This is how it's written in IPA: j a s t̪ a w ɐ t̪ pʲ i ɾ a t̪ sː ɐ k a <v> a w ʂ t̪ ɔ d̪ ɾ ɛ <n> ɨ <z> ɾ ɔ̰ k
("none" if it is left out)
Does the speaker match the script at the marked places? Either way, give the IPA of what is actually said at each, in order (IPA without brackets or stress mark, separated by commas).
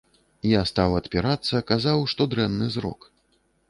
z, nː, z